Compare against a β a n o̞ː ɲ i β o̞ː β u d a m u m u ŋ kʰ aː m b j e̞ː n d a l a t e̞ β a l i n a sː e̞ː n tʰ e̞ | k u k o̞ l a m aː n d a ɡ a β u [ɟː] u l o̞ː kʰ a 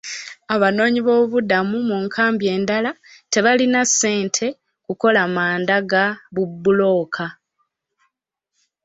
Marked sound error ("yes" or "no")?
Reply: yes